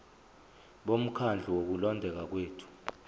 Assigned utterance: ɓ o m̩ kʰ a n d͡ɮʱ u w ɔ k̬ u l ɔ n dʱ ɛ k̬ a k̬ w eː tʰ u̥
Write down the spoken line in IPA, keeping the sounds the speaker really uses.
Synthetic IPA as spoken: ɓ o m̩ kʰ a n d͡ɮʱ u w o k̬ u l ɔ n dʱ ɛ k̬ a k̬ w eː tʰ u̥

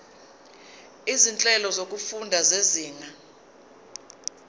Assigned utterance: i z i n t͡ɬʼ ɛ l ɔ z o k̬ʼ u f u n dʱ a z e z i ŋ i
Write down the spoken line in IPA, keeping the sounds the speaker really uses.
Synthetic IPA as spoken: i z i n t͡ɬʼ ɛ l ɔ z o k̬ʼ u f u n dʱ a z e z iː ŋ a

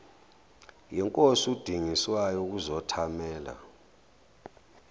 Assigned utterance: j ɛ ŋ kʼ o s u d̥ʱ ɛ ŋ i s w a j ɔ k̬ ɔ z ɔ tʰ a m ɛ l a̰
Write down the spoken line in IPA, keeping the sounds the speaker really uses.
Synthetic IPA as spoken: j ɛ ŋ kʼ o s u d̥ʱ i ŋ i s w a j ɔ k̬ u z ɔ tʰ a m ɛː l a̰

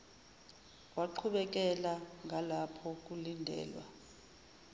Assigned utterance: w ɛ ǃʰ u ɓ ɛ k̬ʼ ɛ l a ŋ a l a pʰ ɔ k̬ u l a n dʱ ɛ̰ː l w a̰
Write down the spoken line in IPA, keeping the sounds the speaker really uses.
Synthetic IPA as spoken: w a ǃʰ u ɓ ɛ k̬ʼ ɛ l a ŋ a l a pʰ ɔ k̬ u l i n dʱ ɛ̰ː l w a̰

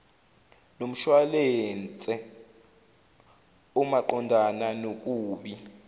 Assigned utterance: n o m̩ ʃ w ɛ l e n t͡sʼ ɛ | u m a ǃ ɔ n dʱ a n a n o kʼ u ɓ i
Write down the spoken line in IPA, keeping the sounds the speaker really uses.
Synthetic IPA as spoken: n o m̩ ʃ w a l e n t͡sʼ ɛ | u m a ǃ ɔ n dʱ a n a n o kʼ uː ɓ i

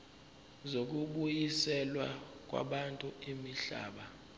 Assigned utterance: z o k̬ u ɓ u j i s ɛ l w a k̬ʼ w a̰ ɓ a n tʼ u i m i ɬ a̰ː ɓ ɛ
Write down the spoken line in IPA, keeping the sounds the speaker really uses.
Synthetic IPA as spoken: z o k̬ u ɓ u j i s ɛ l w a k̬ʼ w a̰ ɓ a n tʼ u i m i ɬ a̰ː ɓ a

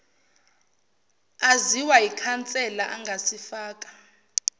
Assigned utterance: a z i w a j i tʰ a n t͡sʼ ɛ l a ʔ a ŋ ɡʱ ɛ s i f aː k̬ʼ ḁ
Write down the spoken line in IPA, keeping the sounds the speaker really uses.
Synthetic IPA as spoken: a z i w a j i kʰ a n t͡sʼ ɛ l a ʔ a ŋ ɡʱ a s i f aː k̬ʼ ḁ

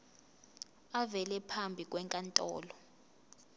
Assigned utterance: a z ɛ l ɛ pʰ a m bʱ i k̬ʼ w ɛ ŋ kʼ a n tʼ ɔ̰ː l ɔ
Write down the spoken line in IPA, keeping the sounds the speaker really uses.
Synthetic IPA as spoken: a v ɛ l ɛ pʰ a m bʱ i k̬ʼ w ɛ ŋ kʼ a n tʼ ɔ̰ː l ɔ

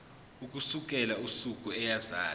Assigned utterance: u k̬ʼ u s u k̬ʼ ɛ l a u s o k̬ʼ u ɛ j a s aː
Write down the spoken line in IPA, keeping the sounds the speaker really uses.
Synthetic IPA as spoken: u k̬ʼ u s u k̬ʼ ɛ l a u s u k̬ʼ u ɛ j a z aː

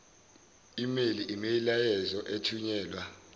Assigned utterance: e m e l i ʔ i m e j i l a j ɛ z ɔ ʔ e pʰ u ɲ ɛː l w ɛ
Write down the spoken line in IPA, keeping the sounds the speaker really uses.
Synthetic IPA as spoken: i m e l i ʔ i m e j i l a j ɛ z ɔ ʔ e tʰ u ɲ ɛː l w a

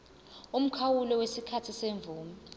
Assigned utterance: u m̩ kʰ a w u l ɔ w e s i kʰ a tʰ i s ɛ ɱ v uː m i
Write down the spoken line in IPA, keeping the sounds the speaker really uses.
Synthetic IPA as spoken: u m̩ kʰ a w u l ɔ w e s i kʰ a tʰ i s e ɱ v uː m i

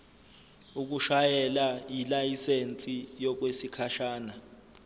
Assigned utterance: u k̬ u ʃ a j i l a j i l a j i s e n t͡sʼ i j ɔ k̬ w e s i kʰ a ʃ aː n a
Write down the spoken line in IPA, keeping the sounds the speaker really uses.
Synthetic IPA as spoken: u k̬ u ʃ a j ɛ l a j i l a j i s e n t͡sʼ i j ɔ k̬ w e s i kʰ a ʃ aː n a

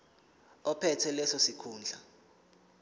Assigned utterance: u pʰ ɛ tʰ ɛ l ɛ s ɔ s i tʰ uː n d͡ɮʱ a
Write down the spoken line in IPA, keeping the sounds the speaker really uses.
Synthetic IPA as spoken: ɔ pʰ ɛ tʰ ɛ l ɛ s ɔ s i kʰ uː n d͡ɮʱ a

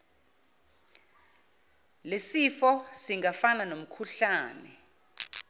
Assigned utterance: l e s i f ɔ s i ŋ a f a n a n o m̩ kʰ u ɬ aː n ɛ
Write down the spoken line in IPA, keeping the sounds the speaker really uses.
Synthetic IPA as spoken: l e s i f ɔ s i ŋ a f a n a n o m̩ kʰ u ɬ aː n ɛ

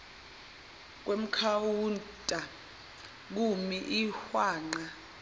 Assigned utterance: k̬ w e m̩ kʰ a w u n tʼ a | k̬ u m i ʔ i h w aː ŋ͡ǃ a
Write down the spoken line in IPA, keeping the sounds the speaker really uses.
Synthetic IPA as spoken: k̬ w e m̩ kʰ a w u n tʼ a | k̬ u m i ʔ i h w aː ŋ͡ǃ a

